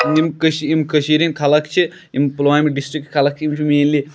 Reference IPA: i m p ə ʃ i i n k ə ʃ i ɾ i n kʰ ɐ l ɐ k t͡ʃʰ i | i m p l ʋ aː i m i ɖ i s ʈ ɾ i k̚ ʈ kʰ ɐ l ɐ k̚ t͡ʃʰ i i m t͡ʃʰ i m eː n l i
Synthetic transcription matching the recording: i m k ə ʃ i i m k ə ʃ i ɾ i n kʰ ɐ l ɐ k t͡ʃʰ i | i m p l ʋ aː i m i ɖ i s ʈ ɾ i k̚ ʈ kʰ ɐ l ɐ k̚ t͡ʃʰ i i m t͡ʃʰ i m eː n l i